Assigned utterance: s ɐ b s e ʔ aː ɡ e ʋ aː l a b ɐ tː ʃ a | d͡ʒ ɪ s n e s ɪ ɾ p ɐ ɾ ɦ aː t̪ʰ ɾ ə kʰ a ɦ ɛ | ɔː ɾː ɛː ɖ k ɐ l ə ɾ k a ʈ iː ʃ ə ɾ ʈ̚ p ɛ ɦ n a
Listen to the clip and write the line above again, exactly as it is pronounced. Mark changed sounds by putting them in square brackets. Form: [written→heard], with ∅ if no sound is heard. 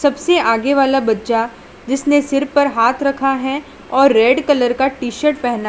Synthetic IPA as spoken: s ɐ b s e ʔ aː ɡ e ʋ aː l a b ɐ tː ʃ a | d͡ʒ ɪ s n e s ɪ ɾ p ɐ ɾ ɦ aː t̪ʰ ɾ [ə→ɐ] kʰ a ɦ ɛ | ɔː ɾː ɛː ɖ k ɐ l ə ɾ k a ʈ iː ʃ ə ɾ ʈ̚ p ɛ ɦ n a